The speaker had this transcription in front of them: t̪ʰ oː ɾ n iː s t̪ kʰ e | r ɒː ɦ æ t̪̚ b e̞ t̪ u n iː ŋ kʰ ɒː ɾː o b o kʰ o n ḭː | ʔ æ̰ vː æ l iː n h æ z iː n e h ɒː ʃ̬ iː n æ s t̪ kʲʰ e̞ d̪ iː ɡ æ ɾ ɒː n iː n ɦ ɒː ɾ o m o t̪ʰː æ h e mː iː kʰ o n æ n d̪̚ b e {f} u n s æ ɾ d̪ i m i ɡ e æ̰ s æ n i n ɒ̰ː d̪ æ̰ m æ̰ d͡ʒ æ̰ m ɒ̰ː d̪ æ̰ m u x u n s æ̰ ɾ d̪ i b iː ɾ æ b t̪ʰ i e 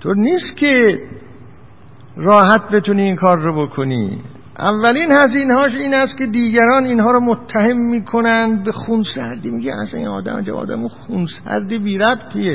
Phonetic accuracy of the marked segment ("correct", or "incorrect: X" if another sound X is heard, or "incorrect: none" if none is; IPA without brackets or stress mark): incorrect: x